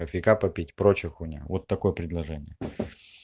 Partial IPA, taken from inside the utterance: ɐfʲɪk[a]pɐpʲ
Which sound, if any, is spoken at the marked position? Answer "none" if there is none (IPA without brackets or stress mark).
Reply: a